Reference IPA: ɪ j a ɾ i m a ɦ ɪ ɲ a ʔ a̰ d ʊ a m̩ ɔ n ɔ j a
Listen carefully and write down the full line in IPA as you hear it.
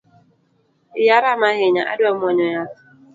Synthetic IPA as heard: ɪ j a ɾ a m a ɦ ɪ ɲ a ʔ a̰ d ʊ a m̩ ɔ ɲ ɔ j a